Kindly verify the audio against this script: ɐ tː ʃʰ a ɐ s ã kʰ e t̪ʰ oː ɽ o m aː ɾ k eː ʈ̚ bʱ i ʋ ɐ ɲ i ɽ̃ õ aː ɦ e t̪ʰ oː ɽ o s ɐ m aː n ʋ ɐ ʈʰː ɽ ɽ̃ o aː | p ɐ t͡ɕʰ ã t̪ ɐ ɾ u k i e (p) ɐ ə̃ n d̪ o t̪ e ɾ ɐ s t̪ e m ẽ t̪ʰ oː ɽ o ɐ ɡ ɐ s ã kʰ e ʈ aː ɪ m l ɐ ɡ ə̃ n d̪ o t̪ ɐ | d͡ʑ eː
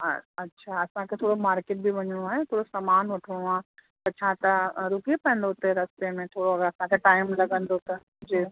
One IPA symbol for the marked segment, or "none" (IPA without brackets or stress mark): p